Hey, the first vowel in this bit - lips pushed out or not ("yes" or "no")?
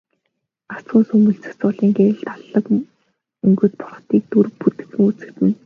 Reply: no